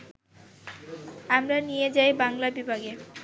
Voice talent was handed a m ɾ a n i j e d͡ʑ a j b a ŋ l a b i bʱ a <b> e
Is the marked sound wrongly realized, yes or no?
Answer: yes